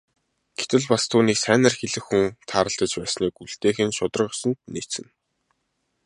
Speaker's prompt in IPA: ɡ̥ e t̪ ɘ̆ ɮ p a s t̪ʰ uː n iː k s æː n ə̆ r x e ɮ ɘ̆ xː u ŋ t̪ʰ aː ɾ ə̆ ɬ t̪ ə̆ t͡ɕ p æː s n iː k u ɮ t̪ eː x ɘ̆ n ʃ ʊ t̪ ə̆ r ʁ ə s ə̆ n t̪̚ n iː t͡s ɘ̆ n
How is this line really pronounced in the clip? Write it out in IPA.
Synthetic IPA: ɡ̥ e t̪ ɘ̆ ɮ p a s t̪ʰ uː n iː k s æː n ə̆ r x e ɮ ɘ̆ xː u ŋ t̪ʰ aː ɾ ə̆ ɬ t̪ ə̆ t͡ɕ p æː s n iː k u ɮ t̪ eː x ɘ̆ n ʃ ʊ t̪ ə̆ r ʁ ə s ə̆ n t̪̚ n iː t͡s ɘ̆ n